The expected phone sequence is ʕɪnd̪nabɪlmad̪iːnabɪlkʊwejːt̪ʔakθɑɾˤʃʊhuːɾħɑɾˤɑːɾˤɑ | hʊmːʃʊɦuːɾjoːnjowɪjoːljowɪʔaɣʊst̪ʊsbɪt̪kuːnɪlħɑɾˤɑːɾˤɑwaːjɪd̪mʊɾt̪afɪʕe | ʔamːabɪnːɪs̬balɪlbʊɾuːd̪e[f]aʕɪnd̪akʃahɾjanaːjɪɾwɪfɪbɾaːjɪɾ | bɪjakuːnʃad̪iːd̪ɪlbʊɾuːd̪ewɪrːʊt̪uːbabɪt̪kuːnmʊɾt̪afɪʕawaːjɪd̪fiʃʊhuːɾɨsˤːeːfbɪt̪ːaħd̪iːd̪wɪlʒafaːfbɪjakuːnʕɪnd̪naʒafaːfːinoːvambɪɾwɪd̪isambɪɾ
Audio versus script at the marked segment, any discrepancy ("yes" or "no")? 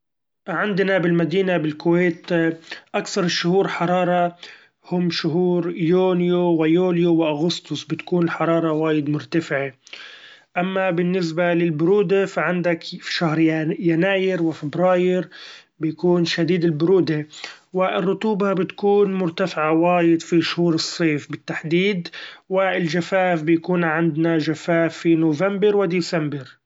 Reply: no